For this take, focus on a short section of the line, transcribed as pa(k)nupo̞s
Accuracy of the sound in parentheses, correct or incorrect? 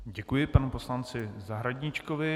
incorrect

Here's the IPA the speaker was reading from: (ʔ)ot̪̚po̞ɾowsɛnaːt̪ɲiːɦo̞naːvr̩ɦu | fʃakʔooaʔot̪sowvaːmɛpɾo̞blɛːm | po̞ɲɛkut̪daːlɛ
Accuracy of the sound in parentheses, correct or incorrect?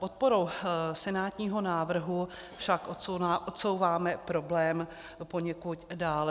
incorrect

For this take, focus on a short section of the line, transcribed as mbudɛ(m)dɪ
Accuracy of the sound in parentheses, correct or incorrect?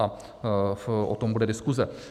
incorrect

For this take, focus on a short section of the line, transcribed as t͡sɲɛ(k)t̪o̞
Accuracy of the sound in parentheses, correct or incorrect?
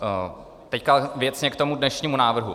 correct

